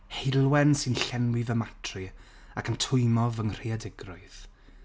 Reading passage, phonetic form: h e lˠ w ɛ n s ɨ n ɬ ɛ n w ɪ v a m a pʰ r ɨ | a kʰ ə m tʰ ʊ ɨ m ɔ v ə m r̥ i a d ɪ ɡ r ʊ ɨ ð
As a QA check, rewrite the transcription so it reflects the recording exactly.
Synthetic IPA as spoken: h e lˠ w ɛ n s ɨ n ɬ ɛ n w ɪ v ə m a tʰ r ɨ | a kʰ ə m tʰ ʊ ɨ m ɔ v ə ŋ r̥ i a d ɪ ɡ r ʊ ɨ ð